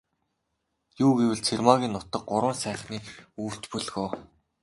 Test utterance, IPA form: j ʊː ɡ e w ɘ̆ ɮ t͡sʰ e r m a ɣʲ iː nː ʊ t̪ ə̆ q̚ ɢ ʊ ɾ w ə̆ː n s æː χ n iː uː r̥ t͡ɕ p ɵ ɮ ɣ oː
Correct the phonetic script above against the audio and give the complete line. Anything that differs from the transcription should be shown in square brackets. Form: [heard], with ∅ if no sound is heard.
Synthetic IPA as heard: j [uː] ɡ e w ɘ̆ ɮ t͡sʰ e r m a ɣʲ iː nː ʊ t̪ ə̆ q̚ ɢ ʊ ɾ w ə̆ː n s æː χ n iː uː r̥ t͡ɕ p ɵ ɮ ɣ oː